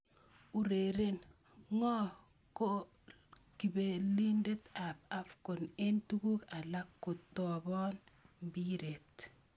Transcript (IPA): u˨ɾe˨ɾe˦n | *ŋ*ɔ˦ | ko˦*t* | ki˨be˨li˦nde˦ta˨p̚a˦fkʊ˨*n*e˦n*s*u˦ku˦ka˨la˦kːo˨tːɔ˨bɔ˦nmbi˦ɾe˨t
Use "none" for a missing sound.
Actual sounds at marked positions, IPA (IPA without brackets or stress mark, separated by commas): ŋ, none, n, t